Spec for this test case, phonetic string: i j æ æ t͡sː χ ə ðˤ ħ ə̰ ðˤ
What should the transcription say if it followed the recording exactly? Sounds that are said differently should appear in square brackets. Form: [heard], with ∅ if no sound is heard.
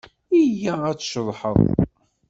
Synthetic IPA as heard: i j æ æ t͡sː [ʃ] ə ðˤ ħ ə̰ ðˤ